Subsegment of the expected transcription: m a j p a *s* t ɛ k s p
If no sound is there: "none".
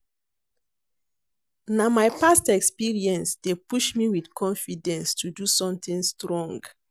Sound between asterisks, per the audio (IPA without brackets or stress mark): s